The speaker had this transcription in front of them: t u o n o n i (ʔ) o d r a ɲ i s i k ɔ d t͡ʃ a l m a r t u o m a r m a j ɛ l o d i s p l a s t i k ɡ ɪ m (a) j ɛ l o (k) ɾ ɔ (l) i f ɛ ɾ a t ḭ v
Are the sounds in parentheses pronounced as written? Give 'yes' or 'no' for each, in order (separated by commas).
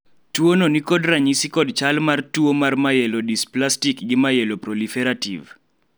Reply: no, yes, no, yes